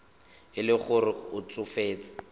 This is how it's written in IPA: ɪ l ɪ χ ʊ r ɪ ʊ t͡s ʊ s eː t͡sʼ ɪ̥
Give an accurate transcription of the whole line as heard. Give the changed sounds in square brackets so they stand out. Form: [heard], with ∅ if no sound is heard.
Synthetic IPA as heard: ɪ l ɪ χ ʊ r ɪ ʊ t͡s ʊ [f] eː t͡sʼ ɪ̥